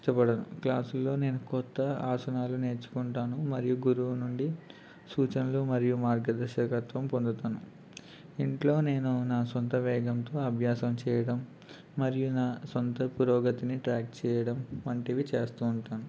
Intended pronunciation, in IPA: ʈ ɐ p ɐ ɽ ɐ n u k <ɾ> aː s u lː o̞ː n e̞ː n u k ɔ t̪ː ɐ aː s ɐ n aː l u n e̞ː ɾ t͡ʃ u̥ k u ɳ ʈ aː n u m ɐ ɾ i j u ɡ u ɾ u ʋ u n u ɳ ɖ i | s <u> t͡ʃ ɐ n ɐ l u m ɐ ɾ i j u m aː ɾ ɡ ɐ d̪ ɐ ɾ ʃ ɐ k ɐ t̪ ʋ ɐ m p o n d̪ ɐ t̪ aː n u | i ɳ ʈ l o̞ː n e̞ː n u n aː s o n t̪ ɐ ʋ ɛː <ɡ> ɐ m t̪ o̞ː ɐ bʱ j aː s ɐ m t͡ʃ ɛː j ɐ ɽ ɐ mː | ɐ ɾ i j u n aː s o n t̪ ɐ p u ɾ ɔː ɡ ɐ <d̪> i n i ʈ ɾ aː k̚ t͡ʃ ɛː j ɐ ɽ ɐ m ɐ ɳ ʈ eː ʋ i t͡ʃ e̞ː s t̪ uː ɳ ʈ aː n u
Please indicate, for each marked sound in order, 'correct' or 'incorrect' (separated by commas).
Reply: incorrect, incorrect, correct, incorrect